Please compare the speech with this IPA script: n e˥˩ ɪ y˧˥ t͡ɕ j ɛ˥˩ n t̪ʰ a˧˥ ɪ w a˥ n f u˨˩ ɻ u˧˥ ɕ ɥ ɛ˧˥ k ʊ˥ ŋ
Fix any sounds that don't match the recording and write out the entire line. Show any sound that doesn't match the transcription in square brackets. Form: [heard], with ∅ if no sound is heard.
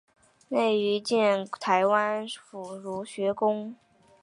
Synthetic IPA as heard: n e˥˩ ɪ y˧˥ t͡ɕ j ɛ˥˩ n t̪ʰ a˧˥ ɪ w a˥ n f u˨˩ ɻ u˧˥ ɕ ɥ ɛ˧˥ k ʊ˥ ŋ